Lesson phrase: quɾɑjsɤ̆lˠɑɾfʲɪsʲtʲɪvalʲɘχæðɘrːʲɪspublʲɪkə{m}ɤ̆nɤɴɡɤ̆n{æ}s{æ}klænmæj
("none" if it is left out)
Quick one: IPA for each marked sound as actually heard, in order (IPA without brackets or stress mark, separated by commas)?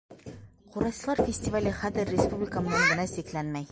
m, æ, i